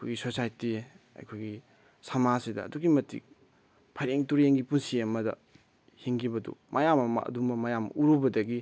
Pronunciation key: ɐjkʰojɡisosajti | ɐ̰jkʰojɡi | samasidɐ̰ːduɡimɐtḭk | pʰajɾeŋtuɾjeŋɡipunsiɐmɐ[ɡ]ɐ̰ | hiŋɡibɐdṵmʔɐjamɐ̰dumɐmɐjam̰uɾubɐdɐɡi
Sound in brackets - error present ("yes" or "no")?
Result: yes